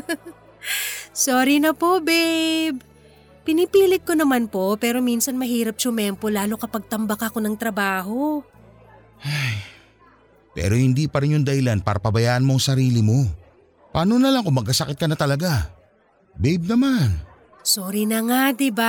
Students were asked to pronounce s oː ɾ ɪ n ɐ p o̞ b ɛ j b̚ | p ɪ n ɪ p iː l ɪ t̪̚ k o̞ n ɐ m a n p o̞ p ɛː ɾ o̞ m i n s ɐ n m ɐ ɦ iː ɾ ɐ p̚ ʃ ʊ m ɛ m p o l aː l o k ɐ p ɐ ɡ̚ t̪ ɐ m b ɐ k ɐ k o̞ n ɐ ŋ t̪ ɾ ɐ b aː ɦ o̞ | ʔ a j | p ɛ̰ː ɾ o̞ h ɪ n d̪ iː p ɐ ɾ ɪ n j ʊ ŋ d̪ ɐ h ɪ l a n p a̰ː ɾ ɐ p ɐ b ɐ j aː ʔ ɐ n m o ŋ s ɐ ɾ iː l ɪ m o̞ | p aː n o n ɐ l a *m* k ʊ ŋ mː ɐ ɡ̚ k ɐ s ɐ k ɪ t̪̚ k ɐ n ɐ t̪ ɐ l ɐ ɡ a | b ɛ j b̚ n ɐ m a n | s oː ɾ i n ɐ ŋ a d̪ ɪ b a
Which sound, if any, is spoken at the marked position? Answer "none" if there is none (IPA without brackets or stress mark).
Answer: ŋ